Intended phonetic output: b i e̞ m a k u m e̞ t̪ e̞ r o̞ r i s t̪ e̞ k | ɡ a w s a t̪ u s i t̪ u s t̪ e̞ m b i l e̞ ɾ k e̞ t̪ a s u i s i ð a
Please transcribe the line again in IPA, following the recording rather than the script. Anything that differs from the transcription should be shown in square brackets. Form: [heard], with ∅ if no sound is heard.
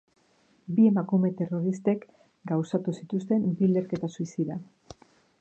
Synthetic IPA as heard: b i e̞ m a k u m e̞ t̪ e̞ r o̞ [ɾ] i s t̪ e̞ k | ɡ a w s a t̪ u s i t̪ u s t̪ e̞ m b i l e̞ ɾ k e̞ t̪ a s u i s i ð a